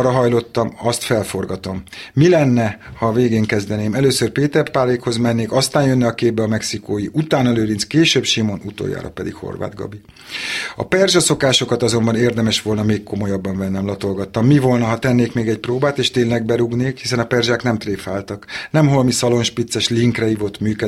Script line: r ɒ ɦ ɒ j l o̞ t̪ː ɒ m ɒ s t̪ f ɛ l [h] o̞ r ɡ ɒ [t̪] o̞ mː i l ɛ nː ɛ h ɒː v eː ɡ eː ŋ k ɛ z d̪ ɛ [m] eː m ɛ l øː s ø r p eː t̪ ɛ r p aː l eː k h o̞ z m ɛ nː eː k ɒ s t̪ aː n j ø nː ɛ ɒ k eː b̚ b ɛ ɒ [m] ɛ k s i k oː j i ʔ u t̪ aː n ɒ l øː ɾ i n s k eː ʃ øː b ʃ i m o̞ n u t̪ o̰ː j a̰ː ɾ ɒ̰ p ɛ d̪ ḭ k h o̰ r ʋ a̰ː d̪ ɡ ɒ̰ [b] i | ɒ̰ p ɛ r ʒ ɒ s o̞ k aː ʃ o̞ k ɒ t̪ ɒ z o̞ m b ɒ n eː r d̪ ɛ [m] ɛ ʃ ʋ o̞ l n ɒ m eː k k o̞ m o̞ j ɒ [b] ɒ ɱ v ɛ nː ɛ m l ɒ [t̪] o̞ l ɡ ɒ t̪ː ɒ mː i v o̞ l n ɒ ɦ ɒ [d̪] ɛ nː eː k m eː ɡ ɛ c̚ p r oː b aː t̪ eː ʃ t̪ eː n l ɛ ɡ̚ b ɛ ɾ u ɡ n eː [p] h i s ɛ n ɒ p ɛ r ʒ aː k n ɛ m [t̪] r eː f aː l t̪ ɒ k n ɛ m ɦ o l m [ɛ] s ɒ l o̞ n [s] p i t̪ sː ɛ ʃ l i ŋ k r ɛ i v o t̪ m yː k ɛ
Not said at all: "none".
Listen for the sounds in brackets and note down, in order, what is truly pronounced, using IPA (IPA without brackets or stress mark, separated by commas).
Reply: f, t̪, n, m, b, m, bː, t̪, t̪, k, t̪, i, ʃ